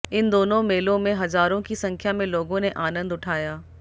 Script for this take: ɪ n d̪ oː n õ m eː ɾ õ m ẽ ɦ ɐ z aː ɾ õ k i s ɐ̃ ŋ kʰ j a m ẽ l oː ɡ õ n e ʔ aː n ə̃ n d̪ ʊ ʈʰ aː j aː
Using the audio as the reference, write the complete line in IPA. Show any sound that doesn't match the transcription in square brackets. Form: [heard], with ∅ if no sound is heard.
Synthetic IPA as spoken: ɪ n d̪ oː n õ m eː [l] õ m ẽ ɦ ɐ z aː ɾ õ k i s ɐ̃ ŋ kʰ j a m ẽ l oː ɡ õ n e ʔ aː n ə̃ n d̪ ʊ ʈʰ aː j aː